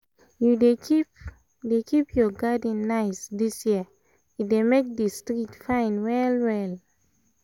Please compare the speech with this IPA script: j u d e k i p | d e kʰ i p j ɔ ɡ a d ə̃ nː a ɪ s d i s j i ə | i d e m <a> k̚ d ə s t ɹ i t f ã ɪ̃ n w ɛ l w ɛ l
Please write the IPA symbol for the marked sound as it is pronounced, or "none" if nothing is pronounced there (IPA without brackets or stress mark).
e